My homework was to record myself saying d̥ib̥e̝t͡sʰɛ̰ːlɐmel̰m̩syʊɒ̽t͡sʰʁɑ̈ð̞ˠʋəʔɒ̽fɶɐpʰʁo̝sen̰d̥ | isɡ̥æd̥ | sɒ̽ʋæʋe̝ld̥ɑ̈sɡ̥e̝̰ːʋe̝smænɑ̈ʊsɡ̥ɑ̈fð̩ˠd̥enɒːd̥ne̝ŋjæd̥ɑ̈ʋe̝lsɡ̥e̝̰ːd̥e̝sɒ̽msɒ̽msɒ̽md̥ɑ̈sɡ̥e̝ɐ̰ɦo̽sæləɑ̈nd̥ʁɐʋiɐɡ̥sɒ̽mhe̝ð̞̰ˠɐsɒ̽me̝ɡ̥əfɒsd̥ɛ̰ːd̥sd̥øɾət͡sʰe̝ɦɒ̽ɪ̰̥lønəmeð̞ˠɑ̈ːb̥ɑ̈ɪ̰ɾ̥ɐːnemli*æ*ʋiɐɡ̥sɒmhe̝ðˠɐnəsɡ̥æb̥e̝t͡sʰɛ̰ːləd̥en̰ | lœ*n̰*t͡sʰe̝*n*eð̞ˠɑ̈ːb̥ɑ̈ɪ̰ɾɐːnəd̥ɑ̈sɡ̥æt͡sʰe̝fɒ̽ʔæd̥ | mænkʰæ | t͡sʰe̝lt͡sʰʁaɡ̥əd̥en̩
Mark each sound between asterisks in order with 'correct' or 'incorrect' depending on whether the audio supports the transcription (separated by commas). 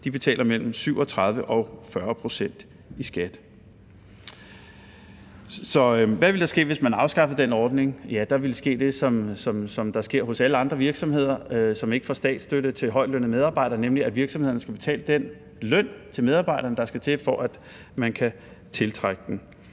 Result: correct, correct, incorrect